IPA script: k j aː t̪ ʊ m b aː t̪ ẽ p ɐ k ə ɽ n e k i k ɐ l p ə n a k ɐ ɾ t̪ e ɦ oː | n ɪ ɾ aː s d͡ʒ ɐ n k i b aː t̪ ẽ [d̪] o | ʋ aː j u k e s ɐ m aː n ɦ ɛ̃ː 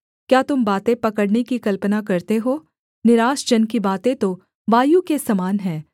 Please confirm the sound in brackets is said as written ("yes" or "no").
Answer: no